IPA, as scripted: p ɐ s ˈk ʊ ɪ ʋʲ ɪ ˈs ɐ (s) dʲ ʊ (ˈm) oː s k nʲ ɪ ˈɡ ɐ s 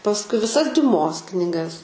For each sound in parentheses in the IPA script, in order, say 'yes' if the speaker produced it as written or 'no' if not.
yes, yes

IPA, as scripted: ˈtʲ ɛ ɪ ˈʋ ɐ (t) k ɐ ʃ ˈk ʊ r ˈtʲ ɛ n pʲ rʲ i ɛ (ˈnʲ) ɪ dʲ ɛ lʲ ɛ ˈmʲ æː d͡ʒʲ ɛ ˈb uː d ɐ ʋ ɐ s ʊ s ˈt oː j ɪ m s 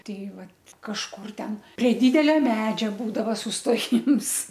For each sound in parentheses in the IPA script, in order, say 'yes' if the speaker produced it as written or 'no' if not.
yes, no

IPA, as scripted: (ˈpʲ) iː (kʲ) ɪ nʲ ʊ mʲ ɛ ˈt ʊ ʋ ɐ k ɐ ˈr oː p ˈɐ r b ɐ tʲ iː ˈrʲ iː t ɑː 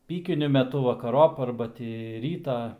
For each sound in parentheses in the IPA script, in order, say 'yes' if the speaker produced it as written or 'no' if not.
yes, yes

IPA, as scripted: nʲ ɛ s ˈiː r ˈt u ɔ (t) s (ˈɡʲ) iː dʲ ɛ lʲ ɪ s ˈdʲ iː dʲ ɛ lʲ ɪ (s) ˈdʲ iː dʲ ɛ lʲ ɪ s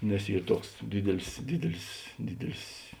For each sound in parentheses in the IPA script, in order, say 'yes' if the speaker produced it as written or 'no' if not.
no, no, yes

